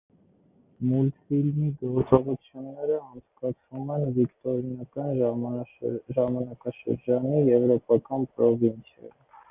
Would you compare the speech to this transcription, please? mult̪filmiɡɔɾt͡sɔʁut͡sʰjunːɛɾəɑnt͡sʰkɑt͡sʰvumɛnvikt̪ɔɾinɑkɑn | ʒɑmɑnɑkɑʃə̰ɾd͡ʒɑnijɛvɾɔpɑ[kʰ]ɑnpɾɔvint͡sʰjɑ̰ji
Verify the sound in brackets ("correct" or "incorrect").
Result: incorrect